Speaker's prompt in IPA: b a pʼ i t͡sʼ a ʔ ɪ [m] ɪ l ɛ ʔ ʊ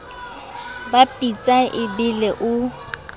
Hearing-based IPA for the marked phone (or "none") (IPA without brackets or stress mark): b